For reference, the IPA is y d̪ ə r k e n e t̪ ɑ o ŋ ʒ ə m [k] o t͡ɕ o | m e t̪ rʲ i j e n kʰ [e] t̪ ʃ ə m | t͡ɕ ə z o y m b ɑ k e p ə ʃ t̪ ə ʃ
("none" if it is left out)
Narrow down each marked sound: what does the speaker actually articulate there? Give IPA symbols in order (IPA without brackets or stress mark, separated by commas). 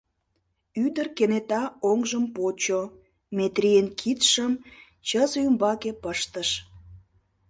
p, i